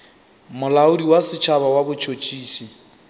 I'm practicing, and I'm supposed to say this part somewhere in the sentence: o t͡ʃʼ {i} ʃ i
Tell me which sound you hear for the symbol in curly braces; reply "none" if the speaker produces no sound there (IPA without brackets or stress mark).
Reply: iː